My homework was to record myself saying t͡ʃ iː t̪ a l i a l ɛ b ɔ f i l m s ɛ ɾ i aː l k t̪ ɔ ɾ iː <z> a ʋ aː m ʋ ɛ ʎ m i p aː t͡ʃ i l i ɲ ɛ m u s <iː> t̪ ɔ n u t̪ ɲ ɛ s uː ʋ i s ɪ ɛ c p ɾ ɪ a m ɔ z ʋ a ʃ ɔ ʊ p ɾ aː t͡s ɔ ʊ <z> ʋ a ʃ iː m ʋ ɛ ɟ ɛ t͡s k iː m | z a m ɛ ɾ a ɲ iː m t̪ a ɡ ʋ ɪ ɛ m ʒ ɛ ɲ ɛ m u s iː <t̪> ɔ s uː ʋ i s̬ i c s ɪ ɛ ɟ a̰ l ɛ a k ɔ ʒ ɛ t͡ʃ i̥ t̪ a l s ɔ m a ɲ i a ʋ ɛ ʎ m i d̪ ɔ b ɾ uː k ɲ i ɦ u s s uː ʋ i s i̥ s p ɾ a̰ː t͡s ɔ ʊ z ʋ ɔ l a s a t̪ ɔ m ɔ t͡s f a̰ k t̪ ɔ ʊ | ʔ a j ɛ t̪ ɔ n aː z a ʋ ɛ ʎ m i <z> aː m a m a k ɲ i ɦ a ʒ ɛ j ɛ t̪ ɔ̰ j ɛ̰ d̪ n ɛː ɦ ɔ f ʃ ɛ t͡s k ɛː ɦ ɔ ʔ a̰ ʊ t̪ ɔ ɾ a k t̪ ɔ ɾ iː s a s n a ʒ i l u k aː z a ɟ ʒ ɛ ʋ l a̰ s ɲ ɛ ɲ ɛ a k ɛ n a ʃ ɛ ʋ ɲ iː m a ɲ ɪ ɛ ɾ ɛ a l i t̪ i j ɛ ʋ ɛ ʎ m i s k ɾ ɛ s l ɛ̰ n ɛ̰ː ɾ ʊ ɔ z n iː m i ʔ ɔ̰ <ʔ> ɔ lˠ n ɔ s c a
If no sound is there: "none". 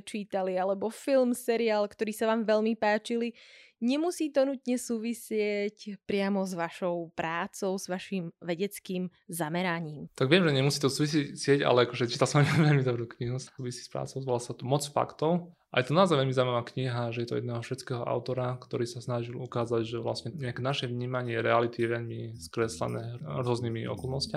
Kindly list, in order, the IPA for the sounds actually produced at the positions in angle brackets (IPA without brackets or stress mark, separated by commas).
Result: s, iː, z, t̪, z, k